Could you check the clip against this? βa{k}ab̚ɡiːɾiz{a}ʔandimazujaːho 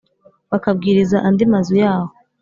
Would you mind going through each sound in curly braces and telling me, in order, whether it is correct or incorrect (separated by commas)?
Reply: correct, correct